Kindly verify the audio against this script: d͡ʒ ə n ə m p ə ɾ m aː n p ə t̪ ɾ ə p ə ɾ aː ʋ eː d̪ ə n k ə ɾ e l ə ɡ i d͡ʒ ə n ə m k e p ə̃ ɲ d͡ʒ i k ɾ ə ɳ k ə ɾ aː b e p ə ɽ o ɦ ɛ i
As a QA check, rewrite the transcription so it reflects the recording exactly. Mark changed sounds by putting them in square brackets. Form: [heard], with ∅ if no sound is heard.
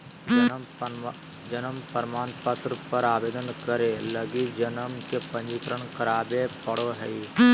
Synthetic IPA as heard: d͡ʒ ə n ə m p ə ɾ m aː n p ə t̪ ɾ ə p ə ɾ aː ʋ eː d̪ ə n k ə ɾ e l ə ɡ i d͡ʒ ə n ə m k e p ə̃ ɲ d͡ʒ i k ɾ ə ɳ k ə ɾ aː b e p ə ɽ o ɦ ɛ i